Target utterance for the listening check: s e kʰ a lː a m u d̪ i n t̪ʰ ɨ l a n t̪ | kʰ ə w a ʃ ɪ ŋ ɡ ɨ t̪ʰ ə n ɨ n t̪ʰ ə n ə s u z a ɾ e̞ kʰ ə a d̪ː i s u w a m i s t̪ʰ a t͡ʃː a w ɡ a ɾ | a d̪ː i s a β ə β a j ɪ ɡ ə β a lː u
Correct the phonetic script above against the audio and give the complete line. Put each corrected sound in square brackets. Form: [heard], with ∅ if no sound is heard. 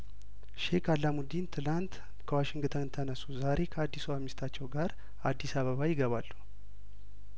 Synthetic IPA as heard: [ʃ] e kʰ a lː a m u d̪ i n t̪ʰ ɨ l a n t̪ | kʰ ə w a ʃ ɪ ŋ ɡ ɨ t̪ʰ ə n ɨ n t̪ʰ ə n ə s u z a ɾ e̞ kʰ ə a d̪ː i s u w a m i s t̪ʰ a t͡ʃː [ɛ] w ɡ a ɾ | a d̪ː i s a β ə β a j ɪ ɡ ə β a lː u

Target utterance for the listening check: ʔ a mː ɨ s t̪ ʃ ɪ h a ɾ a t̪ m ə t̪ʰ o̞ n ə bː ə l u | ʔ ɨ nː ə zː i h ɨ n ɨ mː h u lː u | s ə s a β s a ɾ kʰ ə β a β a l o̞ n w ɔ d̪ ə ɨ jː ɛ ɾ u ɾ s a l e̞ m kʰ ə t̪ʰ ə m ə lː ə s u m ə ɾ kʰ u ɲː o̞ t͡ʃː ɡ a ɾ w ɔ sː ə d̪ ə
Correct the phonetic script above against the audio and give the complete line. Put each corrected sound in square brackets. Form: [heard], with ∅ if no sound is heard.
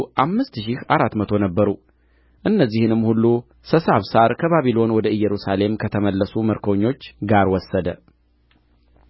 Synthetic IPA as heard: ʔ a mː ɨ s t̪ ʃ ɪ h a ɾ a t̪ m ə t̪ʰ o̞ n ə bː ə [ɾ] u | ʔ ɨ nː ə zː i h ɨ n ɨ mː h u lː u | s ə s a β s a ɾ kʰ ə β a β [i] l o̞ n w ɔ d̪ ə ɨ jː ɛ ɾ u [∅] s a l e̞ m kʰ ə t̪ʰ ə m ə lː ə s u m ə ɾ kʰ [o] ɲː o̞ t͡ʃː ɡ a ɾ w ɔ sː ə d̪ ə

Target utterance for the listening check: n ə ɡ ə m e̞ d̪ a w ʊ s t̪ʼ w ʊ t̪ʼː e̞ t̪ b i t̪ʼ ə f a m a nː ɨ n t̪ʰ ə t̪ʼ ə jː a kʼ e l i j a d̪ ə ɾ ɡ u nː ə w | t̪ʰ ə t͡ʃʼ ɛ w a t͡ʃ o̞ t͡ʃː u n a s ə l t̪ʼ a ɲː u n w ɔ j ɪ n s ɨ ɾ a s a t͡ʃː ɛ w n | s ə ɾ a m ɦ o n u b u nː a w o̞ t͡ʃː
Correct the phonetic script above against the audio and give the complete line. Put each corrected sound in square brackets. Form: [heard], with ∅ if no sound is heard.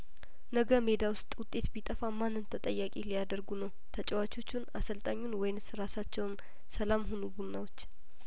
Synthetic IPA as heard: n ə ɡ ə m e̞ d̪ a w ʊ s t̪ʼ w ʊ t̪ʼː e̞ t̪ b i t̪ʼ ə f a m a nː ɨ n t̪ʰ ə t̪ʼ ə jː a kʼ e l i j a d̪ ə ɾ ɡ u [n] ə w | t̪ʰ ə t͡ʃʼ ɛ w a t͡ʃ o̞ t͡ʃː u n a s ə l t̪ʼ a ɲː u n w ɔ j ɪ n s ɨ ɾ a s a t͡ʃː ɛ w n | s ə [l] a m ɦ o n u b u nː a w o̞ t͡ʃː

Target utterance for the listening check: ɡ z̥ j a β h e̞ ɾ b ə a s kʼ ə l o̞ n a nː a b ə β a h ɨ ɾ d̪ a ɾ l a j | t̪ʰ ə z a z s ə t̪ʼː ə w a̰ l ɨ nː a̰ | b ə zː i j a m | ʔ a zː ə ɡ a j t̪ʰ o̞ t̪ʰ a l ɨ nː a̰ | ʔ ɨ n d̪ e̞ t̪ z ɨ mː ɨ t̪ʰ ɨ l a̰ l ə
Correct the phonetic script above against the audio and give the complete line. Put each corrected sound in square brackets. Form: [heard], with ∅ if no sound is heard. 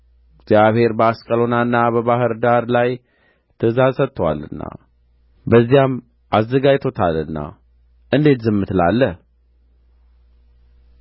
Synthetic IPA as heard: ɡ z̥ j a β h e̞ ɾ b ə a s kʼ ə l o̞ n a nː a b ə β a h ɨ ɾ d̪ a ɾ l a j | t̪ʰ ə z a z s ə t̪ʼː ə w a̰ l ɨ nː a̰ | b ə zː i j a m | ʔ a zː ə ɡ a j t̪ʰ o̞ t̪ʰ a l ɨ nː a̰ | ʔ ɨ n d̪ e̞ t̪ z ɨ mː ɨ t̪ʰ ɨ l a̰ [lː] ə

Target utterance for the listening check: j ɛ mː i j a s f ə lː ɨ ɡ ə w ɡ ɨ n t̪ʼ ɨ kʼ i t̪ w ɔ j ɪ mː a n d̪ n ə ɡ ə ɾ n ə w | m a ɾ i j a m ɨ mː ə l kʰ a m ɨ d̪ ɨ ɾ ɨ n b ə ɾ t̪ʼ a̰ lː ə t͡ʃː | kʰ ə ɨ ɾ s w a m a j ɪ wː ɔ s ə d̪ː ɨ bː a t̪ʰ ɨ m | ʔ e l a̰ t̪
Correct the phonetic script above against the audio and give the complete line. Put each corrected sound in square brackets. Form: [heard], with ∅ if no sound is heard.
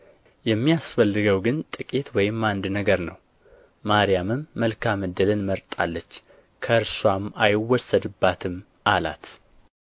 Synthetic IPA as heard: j ɛ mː i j a s f ə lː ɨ ɡ ə w ɡ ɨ n t̪ʼ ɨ kʼ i t̪ w ɔ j ɪ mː a n d̪ n ə ɡ ə ɾ n ə w | m a ɾ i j a m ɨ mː ə l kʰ a m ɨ d̪ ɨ [l] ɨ n [m] ə ɾ t̪ʼ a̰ lː ə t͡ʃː | kʰ ə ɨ ɾ s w a m a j ɪ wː ɔ s ə [d̪] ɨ bː a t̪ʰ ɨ m | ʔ [a] l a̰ t̪

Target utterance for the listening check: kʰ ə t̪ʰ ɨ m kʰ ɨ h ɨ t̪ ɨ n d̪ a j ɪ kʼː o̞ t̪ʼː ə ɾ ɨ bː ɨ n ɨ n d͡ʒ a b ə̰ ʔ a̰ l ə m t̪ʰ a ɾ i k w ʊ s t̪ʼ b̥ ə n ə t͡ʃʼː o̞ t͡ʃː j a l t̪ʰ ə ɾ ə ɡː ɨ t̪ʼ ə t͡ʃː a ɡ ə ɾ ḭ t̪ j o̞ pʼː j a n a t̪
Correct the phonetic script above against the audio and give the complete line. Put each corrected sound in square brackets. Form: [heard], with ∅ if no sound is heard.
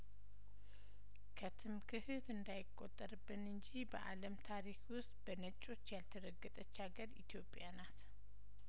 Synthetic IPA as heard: kʰ ə t̪ʰ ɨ m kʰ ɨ h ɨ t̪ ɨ n d̪ a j ɪ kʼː o̞ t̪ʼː ə ɾ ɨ bː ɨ n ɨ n d͡ʒ [i] b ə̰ ʔ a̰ l ə m t̪ʰ a ɾ i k w ʊ s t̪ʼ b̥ ə n ə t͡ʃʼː o̞ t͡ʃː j a l t̪ʰ ə ɾ ə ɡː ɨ t̪ʼ ə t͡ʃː a ɡ ə ɾ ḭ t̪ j o̞ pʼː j a n a t̪

